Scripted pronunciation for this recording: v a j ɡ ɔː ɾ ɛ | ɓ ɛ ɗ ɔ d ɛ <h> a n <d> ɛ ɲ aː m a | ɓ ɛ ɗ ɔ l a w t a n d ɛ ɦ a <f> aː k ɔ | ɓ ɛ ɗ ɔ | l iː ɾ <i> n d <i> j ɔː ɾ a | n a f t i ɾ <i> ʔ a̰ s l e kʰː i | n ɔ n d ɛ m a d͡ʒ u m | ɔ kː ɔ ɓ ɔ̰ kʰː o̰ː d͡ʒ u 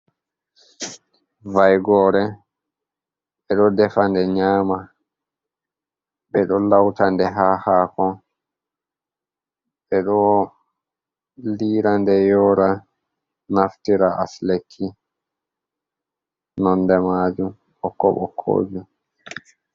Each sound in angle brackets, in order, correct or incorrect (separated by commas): incorrect, correct, incorrect, incorrect, incorrect, incorrect